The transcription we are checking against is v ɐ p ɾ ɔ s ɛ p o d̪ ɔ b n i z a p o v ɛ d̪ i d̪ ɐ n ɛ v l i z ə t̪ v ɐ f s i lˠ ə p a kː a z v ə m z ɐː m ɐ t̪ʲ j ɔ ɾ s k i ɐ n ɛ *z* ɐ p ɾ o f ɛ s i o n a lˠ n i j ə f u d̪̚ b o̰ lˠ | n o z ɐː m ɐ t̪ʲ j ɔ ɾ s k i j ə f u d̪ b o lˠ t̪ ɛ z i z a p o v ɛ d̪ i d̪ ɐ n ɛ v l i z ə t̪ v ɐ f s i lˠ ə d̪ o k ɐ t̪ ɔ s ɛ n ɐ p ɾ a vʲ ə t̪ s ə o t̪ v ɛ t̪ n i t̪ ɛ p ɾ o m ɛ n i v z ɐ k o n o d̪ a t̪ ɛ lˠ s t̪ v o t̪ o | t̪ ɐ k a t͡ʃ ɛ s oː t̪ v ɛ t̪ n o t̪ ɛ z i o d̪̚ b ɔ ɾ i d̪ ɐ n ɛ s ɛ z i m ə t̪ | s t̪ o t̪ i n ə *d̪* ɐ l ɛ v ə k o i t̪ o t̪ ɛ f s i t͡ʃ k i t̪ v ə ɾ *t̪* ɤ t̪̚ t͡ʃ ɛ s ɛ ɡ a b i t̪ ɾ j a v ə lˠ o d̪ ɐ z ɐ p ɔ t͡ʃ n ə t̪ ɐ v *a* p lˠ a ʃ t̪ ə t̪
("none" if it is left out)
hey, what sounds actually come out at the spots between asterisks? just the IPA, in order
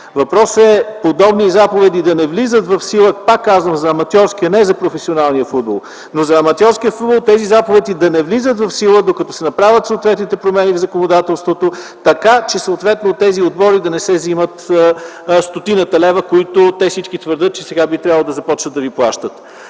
z, t̪, d̪, i

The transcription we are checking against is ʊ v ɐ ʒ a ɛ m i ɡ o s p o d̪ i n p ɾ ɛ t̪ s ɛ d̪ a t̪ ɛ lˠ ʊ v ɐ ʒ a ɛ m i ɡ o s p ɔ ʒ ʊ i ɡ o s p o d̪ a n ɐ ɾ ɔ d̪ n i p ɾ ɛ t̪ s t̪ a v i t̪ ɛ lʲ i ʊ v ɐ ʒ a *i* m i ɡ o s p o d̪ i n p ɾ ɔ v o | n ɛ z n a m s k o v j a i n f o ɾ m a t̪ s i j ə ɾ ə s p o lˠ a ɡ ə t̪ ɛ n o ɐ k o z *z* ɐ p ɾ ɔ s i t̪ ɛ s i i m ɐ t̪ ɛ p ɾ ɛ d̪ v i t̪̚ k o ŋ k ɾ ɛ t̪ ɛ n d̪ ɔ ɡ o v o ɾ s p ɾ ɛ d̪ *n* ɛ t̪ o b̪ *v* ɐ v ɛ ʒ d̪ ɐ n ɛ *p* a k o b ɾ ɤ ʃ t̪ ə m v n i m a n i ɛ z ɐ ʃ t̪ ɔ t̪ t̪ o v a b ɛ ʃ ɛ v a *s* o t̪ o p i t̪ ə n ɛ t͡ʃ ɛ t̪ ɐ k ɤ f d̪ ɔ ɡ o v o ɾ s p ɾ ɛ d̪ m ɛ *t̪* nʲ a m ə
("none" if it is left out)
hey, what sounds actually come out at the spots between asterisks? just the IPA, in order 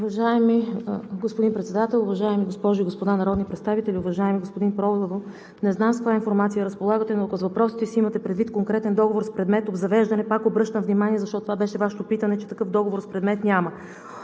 ɛ, v, m, z, p, ʃ, t̪

